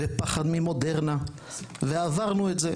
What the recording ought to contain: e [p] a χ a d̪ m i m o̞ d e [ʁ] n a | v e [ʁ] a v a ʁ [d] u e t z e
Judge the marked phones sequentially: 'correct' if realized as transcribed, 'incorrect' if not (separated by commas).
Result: correct, correct, incorrect, incorrect